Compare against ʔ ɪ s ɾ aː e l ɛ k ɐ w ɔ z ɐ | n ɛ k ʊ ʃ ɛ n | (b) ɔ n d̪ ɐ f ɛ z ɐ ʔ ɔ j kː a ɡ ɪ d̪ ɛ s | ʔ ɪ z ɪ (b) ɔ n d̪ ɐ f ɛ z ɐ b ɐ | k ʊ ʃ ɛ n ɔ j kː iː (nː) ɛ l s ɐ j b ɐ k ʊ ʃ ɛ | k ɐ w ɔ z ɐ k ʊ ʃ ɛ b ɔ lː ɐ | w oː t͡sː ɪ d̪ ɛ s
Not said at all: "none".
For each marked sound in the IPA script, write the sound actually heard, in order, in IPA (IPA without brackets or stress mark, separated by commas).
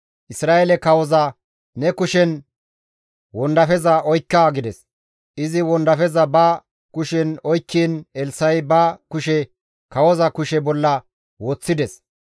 w, w, n